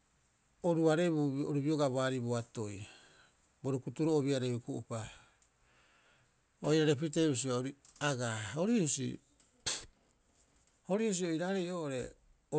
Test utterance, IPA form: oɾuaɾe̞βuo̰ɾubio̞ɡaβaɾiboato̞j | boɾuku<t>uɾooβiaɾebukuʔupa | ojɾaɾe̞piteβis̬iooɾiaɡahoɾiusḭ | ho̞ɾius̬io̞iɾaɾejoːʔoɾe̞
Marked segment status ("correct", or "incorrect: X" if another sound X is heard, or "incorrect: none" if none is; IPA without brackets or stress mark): correct